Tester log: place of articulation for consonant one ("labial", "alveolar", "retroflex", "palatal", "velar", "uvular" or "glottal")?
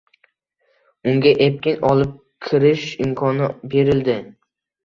velar